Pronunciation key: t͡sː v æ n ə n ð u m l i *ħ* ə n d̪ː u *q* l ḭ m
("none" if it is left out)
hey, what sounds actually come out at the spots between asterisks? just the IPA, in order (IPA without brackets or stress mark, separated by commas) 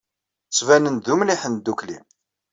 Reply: ħ, k